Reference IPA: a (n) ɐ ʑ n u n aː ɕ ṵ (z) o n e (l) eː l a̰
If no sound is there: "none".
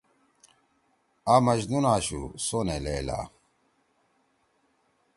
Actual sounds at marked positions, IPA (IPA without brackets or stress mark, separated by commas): m, s, l